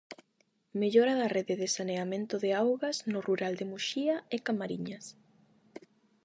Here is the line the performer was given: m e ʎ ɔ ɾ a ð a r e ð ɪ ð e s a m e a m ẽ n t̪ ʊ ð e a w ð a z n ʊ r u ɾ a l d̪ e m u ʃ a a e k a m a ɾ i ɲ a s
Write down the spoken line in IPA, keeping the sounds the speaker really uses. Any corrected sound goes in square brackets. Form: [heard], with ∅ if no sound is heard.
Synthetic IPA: m e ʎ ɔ ɾ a ð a r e ð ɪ ð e s a [n] e a m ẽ n t̪ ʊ ð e a w [ɣ] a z n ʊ r u ɾ a l d̪ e m u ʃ [i] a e k a m a ɾ i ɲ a s